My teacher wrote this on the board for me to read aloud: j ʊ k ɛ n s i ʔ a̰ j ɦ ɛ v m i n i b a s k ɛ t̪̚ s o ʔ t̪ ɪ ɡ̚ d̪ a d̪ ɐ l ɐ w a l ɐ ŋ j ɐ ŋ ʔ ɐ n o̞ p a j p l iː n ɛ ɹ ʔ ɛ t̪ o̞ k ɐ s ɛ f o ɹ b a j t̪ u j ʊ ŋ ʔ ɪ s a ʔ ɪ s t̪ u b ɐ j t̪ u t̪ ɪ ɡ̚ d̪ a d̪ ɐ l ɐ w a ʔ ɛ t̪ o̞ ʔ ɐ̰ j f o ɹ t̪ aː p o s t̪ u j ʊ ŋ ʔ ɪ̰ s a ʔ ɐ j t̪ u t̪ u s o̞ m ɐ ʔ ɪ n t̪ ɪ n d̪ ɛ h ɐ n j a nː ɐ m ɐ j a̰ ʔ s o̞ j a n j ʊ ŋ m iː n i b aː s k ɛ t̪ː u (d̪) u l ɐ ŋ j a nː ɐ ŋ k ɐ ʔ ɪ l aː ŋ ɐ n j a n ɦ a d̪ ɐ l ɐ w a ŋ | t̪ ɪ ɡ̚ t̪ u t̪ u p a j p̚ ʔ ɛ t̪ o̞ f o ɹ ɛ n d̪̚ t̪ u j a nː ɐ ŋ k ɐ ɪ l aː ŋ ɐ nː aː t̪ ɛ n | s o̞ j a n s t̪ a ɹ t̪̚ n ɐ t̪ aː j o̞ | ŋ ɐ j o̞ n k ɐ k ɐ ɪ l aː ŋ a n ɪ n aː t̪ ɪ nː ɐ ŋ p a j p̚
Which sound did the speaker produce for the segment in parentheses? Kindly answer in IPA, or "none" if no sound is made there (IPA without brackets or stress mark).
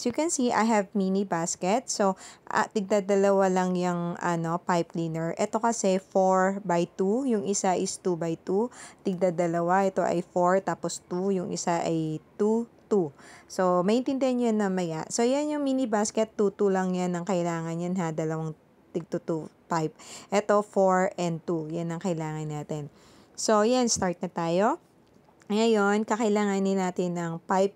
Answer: t̪